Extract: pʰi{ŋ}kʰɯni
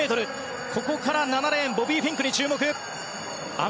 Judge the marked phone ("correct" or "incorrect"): correct